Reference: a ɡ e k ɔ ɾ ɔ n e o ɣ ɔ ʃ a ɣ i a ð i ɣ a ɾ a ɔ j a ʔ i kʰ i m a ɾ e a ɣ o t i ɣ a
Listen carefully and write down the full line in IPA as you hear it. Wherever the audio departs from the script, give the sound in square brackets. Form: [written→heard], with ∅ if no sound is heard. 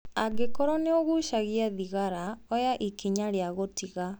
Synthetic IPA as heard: a ɡ e k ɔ ɾ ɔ n e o ɣ [ɔ→u] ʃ a ɣ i a ð i ɣ a ɾ a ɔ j a ʔ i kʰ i [m→ɲ] a ɾ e a ɣ o t i ɣ a